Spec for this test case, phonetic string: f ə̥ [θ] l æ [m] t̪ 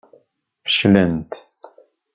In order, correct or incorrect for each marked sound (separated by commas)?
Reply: incorrect, incorrect